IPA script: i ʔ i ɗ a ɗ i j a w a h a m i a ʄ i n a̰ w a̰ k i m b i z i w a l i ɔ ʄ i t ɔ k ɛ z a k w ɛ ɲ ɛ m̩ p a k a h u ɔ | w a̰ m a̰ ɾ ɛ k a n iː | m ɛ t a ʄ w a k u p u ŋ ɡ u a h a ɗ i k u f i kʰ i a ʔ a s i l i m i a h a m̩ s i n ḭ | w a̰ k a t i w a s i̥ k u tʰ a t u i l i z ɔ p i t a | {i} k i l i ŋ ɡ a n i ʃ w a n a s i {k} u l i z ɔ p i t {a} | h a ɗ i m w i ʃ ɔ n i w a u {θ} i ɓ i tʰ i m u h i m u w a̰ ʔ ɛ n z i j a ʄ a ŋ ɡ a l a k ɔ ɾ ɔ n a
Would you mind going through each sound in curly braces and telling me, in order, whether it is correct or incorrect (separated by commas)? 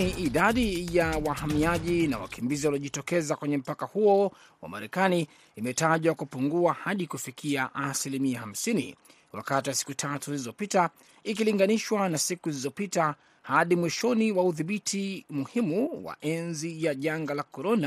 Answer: correct, correct, correct, incorrect